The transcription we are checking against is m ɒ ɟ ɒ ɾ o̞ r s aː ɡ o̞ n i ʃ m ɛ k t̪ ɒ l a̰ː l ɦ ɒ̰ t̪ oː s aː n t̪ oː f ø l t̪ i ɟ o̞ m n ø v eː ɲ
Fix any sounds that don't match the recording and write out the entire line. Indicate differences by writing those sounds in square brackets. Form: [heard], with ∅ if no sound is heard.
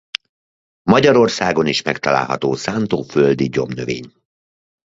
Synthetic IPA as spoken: m ɒ ɟ ɒ ɾ o̞ r s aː ɡ o̞ n i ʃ m ɛ k t̪ ɒ l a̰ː l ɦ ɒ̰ t̪ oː s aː n t̪ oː f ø l [d̪] i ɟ o̞ m n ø v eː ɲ